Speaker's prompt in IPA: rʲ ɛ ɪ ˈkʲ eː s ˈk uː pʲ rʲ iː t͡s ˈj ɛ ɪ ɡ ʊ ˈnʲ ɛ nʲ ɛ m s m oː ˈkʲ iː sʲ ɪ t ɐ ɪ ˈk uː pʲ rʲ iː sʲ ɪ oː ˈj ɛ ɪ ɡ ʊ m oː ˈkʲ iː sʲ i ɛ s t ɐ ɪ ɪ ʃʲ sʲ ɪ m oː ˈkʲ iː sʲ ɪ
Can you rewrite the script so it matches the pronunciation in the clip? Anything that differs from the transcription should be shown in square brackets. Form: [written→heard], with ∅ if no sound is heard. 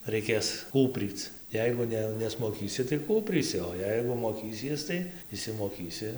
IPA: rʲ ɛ ɪ ˈkʲ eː s ˈk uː pʲ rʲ iː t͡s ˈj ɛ ɪ ɡ ʊ ˈnʲ ɛ nʲ ɛ [m→∅] s m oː ˈkʲ iː sʲ ɪ t ɐ ɪ ˈk uː pʲ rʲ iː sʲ ɪ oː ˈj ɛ ɪ ɡ ʊ m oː ˈkʲ iː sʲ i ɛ s t ɐ ɪ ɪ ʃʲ sʲ ɪ m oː ˈkʲ iː sʲ ɪ